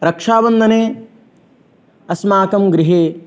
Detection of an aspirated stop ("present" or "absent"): absent